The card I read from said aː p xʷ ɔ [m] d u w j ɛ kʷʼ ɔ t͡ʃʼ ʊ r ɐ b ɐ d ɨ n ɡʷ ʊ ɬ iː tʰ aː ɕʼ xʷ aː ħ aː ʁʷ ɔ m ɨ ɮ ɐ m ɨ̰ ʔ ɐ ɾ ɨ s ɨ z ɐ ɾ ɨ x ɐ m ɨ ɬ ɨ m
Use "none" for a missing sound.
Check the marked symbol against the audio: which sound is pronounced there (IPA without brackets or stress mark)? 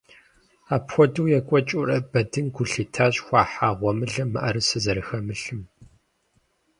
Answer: none